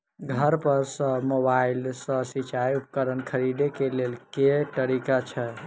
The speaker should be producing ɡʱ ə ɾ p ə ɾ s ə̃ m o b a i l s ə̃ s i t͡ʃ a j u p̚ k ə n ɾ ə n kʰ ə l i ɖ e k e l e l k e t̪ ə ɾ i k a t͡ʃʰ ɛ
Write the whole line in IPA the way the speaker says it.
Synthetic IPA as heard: ɡʱ ə ɾ p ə ɾ s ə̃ m o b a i l s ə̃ s i t͡ʃ a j u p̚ k ə ɾ ə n kʰ ə ɾ i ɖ e k e l e l k e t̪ ə ɾ i k a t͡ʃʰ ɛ